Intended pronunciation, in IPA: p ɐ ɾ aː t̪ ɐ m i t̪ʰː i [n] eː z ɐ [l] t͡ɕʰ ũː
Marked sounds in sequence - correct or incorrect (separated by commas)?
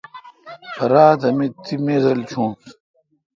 incorrect, correct